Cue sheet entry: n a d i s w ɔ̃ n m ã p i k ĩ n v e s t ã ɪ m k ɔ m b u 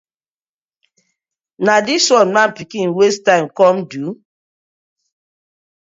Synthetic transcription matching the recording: n a d i s w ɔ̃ n m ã p i k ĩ n w e s t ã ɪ m k ɔ m d u